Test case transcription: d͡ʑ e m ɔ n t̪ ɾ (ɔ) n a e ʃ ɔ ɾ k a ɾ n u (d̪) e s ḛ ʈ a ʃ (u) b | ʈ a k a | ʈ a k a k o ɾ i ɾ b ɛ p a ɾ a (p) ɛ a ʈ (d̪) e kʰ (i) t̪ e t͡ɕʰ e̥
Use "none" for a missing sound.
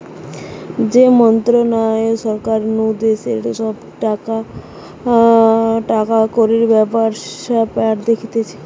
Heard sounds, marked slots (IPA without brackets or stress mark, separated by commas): o, d̪, ɔ, p, d̪, i